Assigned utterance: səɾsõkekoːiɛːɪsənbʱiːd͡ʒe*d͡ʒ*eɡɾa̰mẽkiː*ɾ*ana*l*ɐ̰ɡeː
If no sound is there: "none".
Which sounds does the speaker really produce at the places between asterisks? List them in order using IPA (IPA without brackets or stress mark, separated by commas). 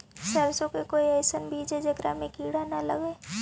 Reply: d͡ʒ, ɽ, l